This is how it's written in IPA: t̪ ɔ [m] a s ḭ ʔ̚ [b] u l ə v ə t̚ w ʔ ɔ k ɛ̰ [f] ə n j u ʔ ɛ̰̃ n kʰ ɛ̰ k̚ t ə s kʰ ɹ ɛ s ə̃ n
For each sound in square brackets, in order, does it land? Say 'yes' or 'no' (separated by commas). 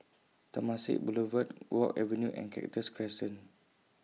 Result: yes, yes, no